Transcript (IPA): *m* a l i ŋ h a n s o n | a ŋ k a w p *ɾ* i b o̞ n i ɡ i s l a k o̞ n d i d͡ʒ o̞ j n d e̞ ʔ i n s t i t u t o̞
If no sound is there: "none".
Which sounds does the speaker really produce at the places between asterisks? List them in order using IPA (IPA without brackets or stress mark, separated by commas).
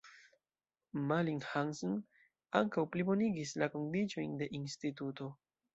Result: m, l